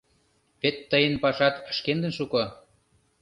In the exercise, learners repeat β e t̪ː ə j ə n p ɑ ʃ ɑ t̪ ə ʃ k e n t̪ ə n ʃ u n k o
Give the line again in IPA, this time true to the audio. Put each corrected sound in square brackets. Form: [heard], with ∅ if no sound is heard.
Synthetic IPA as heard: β e t̪ː ə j ə n p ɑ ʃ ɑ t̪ ə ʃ k e n [d̪] ə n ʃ u [∅] k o